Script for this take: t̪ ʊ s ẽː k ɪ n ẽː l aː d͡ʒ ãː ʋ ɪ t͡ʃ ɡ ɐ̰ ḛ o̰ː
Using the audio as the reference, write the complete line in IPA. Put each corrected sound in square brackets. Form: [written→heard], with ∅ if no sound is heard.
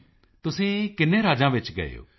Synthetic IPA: t̪ ʊ s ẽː k ɪ n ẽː [l→ɾ] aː d͡ʒ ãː ʋ ɪ t͡ʃ ɡ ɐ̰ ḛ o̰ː